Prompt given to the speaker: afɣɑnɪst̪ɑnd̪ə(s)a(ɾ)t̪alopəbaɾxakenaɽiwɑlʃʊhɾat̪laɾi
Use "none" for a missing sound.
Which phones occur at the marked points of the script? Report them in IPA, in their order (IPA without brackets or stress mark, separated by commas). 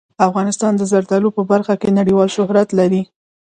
z, ɾ